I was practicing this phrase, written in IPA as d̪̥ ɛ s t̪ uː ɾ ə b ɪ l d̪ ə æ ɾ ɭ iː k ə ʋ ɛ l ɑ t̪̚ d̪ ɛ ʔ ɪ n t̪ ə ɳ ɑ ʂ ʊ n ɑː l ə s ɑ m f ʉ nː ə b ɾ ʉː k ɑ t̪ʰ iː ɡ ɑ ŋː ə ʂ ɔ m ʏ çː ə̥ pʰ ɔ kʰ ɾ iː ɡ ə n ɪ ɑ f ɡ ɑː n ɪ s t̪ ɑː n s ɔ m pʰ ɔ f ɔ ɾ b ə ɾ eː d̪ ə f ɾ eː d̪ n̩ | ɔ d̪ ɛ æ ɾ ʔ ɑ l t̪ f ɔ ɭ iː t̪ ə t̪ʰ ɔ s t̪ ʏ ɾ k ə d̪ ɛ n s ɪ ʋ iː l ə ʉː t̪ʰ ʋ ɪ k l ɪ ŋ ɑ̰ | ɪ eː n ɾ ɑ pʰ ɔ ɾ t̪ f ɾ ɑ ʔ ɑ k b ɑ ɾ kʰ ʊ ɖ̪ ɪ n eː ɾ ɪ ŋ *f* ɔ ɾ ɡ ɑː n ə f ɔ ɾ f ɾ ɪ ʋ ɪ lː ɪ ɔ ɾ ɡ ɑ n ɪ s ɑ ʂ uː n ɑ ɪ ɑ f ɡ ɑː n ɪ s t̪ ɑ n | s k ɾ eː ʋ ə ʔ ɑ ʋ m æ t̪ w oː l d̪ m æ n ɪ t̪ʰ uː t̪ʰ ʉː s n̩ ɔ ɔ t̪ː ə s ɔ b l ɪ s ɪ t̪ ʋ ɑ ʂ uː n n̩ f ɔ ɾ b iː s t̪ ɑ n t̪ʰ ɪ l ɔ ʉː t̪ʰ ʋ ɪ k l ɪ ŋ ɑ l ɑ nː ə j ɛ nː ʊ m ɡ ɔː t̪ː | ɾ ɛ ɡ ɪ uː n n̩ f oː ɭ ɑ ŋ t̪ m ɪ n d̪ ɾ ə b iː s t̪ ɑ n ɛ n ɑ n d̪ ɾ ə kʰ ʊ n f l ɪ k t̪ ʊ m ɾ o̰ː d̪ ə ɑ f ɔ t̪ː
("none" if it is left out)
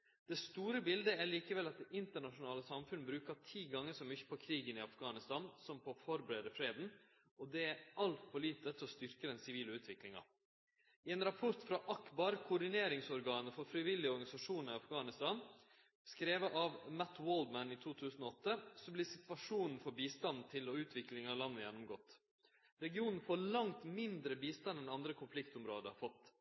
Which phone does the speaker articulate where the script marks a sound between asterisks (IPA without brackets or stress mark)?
s